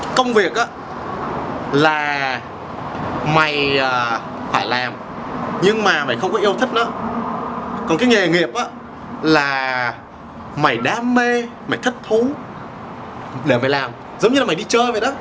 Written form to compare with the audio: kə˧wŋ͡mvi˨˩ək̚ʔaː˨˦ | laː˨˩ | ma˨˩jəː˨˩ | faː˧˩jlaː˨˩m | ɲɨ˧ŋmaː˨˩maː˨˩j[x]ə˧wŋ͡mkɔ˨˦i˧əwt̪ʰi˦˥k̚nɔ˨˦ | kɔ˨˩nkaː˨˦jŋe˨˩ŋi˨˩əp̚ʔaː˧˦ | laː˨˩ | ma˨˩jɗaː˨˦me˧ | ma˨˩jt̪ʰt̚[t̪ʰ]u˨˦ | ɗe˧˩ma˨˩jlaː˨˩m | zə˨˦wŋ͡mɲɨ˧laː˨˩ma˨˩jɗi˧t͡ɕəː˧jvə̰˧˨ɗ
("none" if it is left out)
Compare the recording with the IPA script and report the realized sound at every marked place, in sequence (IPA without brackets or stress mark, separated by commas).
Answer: x, t̪ʰ